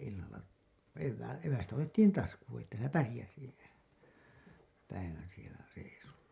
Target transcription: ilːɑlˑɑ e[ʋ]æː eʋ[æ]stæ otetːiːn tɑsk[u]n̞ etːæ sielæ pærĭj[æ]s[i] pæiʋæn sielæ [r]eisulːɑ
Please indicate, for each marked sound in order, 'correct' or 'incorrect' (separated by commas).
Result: incorrect, correct, incorrect, correct, correct, correct